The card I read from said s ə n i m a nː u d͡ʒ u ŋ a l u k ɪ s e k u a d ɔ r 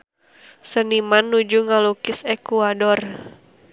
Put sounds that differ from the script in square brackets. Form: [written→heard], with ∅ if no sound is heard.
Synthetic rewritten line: s ə n i m a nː u d͡ʒ u ŋ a l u k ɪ s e k u a d ɔ r